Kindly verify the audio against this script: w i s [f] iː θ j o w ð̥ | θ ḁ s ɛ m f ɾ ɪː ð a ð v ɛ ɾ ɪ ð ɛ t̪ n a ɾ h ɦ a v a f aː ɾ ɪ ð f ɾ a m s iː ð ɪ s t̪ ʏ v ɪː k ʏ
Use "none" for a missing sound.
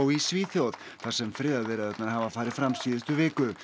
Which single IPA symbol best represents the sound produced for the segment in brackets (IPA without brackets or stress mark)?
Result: v